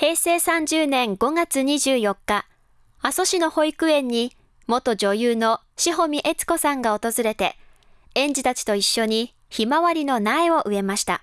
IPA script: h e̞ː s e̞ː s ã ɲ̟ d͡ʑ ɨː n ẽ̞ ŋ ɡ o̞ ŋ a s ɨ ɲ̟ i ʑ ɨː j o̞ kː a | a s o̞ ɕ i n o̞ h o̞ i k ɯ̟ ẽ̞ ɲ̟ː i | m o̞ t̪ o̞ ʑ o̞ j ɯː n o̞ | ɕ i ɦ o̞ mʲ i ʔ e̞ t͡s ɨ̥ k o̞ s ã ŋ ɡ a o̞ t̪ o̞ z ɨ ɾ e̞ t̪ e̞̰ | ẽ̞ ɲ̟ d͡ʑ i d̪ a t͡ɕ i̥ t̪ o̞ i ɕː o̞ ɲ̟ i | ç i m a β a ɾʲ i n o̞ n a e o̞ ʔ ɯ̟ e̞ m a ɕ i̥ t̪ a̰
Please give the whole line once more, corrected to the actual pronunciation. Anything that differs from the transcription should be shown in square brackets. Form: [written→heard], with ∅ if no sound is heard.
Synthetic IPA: h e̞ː s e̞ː s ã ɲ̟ d͡ʑ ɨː n ẽ̞ ŋ ɡ o̞ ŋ a [s→t͡s] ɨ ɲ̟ i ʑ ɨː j o̞ kː a | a s o̞ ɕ i n o̞ h o̞ i k ɯ̟ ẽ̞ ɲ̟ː i | m o̞ t̪ o̞ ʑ o̞ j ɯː n o̞ | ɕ i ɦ o̞ mʲ i ʔ e̞ t͡s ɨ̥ k o̞ s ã ŋ ɡ a o̞ t̪ o̞ z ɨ ɾ e̞ t̪ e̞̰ | ẽ̞ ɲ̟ d͡ʑ i [d̪→t̪] a t͡ɕ i̥ t̪ o̞ i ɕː o̞ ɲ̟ i | ç i m a β a ɾʲ i n o̞ n a e o̞ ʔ ɯ̟ e̞ m a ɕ i̥ t̪ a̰